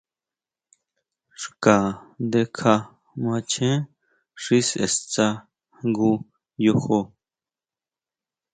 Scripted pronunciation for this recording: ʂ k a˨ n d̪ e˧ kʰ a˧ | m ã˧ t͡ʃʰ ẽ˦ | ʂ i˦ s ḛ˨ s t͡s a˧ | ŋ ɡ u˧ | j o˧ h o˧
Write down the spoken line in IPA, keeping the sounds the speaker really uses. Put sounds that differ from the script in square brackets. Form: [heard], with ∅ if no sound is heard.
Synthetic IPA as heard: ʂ k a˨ n d̪ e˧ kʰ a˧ | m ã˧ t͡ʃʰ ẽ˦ | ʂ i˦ s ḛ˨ s t͡s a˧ | ŋ ɡ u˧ | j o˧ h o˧